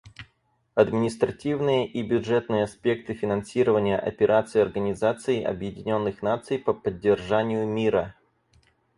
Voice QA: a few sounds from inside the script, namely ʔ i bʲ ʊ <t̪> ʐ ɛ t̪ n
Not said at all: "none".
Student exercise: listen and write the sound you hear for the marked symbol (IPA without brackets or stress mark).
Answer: none